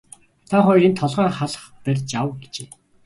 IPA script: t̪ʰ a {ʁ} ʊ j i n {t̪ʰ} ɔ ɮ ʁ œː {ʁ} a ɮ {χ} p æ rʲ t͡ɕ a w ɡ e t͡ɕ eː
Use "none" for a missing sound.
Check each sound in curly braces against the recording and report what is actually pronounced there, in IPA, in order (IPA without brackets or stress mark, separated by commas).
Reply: χ, t̪ʰ, χ, χ